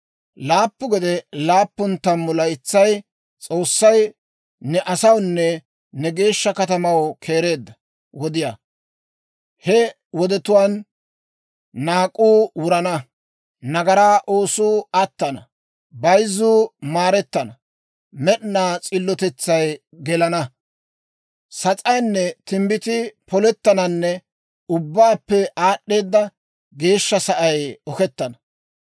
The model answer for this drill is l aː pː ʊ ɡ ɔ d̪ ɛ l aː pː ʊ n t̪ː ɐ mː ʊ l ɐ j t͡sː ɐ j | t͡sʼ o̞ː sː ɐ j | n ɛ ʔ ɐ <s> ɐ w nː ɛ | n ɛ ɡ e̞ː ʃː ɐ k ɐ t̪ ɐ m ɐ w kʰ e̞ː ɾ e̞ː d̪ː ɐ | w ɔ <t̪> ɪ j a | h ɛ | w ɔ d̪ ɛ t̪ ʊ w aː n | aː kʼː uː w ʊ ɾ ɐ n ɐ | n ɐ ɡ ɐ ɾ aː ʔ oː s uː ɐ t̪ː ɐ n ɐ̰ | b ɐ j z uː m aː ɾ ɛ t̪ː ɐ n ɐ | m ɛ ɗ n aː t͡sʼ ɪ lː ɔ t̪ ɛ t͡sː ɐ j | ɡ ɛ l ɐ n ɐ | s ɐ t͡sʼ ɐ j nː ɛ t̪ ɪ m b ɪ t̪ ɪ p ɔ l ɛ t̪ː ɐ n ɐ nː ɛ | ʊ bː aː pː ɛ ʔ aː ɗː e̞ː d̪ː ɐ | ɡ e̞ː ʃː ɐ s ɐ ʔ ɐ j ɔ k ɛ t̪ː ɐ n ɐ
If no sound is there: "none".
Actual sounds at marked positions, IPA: s, d̪

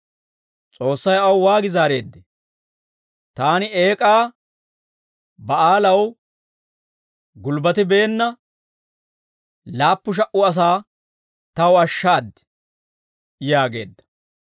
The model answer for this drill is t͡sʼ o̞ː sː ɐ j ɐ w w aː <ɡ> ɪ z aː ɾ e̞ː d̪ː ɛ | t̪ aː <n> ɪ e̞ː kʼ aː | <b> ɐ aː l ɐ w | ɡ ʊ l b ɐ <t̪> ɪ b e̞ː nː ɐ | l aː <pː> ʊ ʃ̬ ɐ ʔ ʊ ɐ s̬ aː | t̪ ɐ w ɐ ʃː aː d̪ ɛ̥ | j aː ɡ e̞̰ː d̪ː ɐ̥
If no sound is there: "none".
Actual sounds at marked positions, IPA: ɡ, n, b, t̪, pː

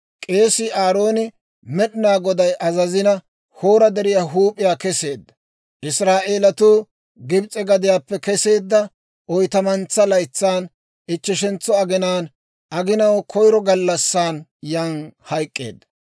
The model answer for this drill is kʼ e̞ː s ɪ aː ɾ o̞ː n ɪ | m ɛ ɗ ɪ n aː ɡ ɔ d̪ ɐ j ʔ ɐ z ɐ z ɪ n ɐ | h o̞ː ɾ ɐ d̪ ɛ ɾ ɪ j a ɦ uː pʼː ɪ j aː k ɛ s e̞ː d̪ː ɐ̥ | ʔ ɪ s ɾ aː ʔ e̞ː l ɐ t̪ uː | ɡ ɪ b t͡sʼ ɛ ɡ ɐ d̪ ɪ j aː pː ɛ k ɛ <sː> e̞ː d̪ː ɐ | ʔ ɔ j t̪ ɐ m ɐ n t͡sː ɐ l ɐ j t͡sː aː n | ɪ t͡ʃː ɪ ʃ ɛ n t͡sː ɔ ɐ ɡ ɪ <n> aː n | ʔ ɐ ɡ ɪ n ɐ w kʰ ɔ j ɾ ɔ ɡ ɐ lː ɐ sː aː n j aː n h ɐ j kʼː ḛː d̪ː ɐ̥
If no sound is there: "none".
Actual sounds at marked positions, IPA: s, n

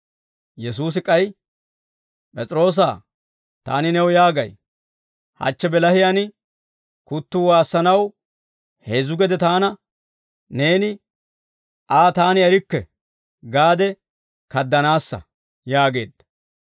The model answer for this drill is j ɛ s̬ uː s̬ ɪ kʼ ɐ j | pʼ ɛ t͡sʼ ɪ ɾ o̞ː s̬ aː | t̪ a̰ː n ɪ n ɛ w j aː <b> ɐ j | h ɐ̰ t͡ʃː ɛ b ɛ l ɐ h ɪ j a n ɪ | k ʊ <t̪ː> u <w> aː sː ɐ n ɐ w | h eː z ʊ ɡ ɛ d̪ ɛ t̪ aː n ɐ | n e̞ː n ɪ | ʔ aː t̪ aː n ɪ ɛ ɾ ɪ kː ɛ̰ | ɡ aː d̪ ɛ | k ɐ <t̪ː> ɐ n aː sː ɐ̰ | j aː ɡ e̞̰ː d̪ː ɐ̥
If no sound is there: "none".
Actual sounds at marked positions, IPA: ɡ, t̪ː, w, d̪ː

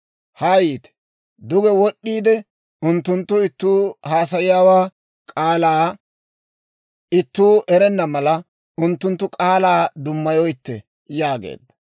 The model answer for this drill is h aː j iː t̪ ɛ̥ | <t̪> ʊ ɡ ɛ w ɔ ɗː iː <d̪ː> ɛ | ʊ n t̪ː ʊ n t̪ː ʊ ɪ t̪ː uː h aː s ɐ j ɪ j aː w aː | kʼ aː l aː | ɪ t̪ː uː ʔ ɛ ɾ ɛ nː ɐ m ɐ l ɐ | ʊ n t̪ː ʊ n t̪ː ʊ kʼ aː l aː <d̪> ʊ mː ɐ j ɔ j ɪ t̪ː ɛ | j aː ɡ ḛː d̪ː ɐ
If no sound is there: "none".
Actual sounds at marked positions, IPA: d̪, d̪, d̪

